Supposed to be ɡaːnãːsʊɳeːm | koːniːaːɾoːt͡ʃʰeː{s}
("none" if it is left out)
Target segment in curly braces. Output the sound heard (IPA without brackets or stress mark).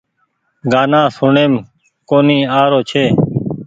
none